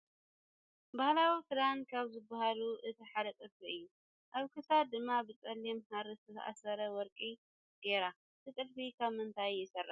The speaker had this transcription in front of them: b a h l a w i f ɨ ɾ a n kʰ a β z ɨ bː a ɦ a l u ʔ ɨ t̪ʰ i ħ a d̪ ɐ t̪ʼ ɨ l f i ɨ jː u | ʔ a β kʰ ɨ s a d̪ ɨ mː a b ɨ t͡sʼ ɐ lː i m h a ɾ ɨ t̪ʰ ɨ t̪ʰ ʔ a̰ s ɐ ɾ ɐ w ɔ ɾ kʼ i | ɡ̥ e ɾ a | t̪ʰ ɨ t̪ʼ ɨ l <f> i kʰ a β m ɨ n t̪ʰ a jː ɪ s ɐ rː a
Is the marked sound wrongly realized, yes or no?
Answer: no